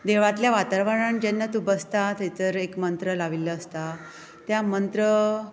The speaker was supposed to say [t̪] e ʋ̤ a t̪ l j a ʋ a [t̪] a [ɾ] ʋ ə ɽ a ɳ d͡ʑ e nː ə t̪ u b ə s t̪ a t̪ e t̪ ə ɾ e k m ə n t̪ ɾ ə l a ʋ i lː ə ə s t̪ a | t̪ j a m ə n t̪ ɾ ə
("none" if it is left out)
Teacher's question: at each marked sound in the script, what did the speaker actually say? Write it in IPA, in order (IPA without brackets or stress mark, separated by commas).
d̪, t̪, ɾ